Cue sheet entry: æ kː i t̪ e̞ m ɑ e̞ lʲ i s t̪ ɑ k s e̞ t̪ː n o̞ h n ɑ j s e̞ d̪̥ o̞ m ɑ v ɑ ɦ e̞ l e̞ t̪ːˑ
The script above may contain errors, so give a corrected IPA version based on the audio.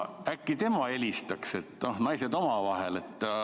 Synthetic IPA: æ kː i t̪ e̞ m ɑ e̞ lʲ i s t̪ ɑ k s e̞ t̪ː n o̞ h n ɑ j s e̞ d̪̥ o̞ m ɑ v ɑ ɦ e̞ l e̞ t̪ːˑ

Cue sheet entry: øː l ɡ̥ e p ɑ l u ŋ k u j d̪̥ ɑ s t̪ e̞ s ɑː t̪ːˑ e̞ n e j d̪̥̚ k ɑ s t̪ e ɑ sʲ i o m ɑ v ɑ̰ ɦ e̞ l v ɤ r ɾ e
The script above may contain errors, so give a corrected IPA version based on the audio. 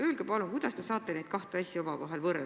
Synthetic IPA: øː l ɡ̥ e p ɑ l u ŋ k u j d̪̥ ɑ s t̪ e̞ s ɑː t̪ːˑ e̞ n e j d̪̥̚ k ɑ h t̪ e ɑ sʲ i o m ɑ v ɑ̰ ɦ e̞ l v ɤ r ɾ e

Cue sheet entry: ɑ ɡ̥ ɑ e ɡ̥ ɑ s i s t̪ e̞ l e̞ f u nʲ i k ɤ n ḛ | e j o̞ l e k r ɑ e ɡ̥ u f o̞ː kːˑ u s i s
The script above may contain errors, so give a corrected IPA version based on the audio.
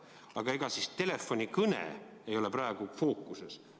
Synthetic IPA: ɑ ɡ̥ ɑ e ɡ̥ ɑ s i s t̪ e̞ l e̞ f o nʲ i k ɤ n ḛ | e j o̞ l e p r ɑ e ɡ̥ u f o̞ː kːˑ u s e s

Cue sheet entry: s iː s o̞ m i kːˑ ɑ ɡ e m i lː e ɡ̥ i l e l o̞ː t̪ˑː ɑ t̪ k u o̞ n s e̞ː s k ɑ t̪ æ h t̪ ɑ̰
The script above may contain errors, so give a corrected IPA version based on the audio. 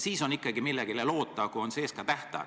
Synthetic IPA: s iː s o̞ n i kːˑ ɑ ɡ i m i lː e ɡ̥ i l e l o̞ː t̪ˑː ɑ k u o̞ n s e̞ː s k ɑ t̪ æ h t̪ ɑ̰

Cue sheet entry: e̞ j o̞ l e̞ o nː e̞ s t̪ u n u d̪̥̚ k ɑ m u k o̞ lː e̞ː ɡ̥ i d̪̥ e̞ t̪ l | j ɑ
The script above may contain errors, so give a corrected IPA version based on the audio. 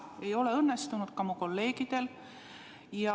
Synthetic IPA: e̞ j o̞ l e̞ ɤ nː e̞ s t̪ u n u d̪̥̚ k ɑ m u k o̞ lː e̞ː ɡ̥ i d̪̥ e̞ l | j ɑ

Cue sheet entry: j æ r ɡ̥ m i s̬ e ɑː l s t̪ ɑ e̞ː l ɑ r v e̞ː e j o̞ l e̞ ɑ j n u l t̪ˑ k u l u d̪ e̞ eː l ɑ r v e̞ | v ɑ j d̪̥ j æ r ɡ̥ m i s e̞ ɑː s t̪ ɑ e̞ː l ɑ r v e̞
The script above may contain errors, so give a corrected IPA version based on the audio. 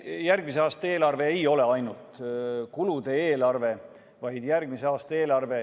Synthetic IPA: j æ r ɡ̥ m i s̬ e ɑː s t̪ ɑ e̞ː l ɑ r v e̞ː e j o̞ l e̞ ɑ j n u l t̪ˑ k u l u d̪ e̞ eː l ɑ r v e̞ | v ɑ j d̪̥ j æ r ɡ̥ m i s e̞ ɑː s t̪ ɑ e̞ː l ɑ r v e̞

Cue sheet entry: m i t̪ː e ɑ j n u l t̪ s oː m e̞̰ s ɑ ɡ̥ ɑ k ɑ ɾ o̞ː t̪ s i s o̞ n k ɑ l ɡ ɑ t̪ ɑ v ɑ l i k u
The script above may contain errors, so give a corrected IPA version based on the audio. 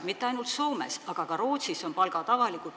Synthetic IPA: m i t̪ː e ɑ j n u l t̪ s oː m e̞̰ s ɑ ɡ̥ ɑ k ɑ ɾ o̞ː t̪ s i s o̞ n p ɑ l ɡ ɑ t̪ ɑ v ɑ l i k u

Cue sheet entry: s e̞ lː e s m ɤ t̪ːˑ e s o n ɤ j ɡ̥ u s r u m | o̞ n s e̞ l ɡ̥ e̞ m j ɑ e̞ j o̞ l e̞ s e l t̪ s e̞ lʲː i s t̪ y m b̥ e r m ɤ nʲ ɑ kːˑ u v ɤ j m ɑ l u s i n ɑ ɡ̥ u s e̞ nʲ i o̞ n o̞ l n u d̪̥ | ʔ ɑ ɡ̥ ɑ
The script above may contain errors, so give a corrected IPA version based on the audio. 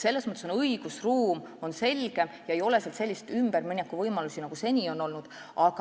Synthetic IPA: s e̞ lː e s m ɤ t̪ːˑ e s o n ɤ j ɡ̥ u s r uː m | o̞ n s e̞ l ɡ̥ e̞ m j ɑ e̞ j o̞ l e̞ s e l t̪ s e̞ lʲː i s t̪ y m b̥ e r m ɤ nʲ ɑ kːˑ u v ɤ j m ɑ l u s i n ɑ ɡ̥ u s e̞ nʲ i o̞ n o̞ l n u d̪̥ | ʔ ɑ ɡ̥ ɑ

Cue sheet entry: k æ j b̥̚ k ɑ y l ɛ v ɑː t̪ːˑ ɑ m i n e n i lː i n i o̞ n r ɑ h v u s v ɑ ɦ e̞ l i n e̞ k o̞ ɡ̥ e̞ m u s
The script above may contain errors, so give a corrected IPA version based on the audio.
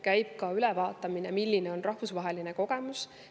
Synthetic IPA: k æ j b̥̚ k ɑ y l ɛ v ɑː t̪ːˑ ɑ m i n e m i lː i n e o̞ n r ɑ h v u s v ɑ ɦ e̞ l i n e̞ k o̞ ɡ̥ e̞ m u s

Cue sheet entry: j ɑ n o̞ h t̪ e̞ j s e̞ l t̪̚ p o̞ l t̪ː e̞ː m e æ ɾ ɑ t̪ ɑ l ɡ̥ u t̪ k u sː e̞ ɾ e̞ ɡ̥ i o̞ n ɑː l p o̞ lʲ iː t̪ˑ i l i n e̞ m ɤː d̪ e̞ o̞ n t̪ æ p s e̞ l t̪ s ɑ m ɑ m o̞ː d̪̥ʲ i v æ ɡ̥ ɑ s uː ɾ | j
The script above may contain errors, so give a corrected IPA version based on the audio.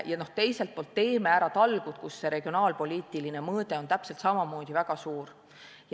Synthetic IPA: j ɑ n o̞ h t̪ e̞ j s e̞ l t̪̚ p o̞ l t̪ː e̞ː m e æ ɾ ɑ t̪ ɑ l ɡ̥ u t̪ k u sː e̞ ɾ e̞ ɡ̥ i o̞ n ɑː l p o̞ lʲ iː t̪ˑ i l i n e̞ m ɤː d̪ e̞ o̞ n t̪ æ p s e̞ l t̪ s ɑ m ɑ m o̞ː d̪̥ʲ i v æ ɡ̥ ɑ s uː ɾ | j

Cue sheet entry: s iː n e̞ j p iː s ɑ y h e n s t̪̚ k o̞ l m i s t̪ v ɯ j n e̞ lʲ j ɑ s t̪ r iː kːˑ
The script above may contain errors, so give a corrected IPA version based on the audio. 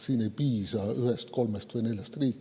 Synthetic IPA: s iː n e̞ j p iː s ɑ y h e s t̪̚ k o̞ l m e s t̪ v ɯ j n e̞ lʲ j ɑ s t̪ r iː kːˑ

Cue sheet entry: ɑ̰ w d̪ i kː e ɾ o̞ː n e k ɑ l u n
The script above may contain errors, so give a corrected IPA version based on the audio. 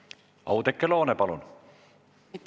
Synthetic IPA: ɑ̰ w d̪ e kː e l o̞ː n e p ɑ l u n

